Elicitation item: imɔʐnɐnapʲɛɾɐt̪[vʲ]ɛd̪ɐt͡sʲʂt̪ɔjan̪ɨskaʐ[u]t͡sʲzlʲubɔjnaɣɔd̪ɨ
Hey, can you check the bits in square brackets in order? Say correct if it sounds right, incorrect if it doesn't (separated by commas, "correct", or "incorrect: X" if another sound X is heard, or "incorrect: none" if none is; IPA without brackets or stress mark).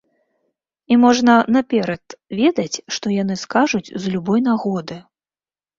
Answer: correct, correct